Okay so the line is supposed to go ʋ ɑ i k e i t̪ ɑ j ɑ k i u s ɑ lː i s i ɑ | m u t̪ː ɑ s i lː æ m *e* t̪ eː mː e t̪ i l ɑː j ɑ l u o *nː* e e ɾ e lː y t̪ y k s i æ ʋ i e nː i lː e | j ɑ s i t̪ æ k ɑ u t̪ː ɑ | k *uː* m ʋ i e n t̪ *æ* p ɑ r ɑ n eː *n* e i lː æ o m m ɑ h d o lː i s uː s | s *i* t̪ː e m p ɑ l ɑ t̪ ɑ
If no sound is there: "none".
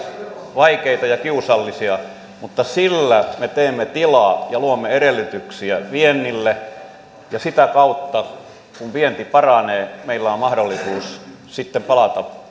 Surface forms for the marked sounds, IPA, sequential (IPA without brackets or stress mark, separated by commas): e, mː, u, i, m, i